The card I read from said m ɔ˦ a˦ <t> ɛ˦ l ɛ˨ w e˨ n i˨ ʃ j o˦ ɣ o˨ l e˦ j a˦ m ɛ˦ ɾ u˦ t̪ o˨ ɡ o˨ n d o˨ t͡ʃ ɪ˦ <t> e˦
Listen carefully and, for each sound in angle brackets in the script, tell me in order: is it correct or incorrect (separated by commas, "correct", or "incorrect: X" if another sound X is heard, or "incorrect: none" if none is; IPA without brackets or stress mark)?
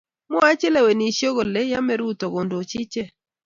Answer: incorrect: t͡ʃ, incorrect: t͡ʃ